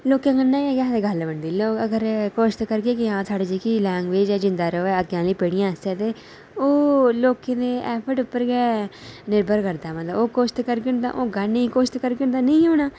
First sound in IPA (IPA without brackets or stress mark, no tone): l